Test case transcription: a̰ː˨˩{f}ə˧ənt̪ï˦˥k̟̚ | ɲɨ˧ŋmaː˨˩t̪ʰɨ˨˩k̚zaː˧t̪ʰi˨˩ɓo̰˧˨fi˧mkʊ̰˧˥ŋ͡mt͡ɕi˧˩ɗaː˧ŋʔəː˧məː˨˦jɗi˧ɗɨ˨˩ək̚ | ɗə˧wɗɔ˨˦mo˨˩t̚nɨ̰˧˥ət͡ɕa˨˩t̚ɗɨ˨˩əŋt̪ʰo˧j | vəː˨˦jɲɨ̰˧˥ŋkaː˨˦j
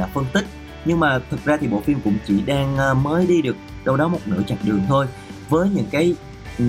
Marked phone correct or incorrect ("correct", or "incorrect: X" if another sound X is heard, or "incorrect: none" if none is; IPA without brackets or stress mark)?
correct